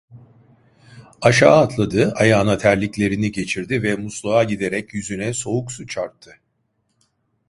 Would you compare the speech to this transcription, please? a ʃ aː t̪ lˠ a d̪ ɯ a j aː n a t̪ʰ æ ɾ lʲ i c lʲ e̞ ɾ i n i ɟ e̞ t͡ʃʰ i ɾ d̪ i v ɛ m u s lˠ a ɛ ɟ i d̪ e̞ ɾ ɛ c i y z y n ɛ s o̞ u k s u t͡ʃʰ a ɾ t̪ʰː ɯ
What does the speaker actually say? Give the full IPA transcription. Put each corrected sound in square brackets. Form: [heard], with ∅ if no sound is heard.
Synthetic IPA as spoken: a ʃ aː t̪ lˠ a d̪ ɯ a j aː n a t̪ʰ æ ɾ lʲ i c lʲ e̞ ɾ i n i ɟ e̞ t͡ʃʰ i ɾ d̪ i v ɛ m u s lˠ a [a] ɟ i d̪ e̞ ɾ ɛ c [j] y z y n ɛ s o̞ u k s u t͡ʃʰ a ɾ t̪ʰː ɯ